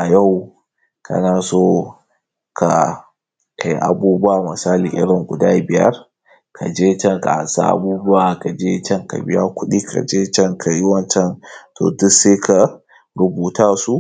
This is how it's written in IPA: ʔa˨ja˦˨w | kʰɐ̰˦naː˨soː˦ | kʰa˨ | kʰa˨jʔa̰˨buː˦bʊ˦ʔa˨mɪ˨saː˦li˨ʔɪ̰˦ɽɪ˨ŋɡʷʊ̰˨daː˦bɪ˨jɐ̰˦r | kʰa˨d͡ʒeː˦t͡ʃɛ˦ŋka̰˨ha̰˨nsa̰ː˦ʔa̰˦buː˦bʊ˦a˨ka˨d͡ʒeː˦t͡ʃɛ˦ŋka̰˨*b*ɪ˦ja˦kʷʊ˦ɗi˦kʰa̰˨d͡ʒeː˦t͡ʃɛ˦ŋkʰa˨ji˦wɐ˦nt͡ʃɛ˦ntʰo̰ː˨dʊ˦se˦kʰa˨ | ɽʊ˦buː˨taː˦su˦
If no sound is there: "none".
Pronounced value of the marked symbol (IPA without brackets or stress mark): b